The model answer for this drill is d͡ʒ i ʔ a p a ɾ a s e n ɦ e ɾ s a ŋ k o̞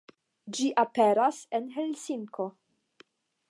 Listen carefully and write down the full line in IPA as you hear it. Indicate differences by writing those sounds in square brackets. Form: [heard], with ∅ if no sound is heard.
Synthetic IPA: d͡ʒ i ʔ a p [e] ɾ a s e n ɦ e [l] s [i] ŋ k o̞